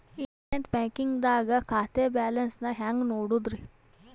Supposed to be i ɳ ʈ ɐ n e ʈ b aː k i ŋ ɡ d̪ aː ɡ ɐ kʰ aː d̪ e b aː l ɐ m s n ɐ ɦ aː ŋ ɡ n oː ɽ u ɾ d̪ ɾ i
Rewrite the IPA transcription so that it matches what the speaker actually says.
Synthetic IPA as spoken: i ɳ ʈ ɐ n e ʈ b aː k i ŋ ɡ d̪ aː ɡ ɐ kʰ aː t̪ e b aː l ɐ n s n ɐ ɦ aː ŋ ɡ n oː ɽ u d̪ ɾ i